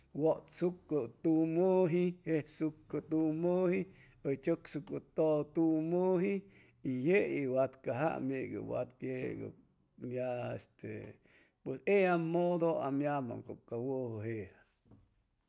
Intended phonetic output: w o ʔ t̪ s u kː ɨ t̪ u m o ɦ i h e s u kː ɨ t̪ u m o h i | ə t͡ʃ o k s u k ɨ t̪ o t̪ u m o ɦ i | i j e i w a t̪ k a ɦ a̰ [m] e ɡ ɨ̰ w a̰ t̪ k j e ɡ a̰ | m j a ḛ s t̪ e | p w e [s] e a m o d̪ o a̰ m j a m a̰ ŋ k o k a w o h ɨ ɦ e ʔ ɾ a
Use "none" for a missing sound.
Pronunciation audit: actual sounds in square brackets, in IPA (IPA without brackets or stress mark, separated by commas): m, s